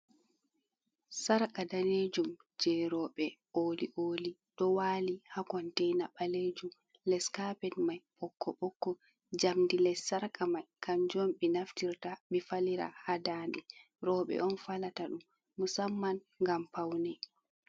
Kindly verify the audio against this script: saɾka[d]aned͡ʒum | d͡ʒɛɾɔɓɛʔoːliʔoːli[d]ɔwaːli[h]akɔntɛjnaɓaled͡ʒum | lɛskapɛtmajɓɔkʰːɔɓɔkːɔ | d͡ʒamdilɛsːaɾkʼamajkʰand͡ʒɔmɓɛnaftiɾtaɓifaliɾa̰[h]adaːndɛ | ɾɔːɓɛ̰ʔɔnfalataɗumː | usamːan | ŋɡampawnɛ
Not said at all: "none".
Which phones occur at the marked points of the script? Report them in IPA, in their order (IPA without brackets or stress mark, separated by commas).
d, ɗ, h, h